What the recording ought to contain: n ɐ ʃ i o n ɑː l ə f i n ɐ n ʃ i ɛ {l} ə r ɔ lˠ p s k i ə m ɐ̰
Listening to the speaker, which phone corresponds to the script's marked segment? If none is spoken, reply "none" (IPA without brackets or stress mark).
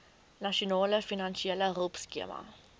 l